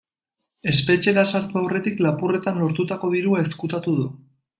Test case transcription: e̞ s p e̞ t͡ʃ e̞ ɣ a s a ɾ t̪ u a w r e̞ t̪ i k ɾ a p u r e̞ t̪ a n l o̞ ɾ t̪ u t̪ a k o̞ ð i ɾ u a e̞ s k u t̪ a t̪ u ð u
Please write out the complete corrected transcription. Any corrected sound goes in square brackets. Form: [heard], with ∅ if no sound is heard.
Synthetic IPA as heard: e̞ s p e̞ t͡ʃ e̞ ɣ a s a ɾ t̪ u a w r e̞ t̪ i k [l] a p u r e̞ t̪ a n l o̞ ɾ t̪ u t̪ a k o̞ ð i ɾ u a e̞ s k u t̪ a t̪ u ð u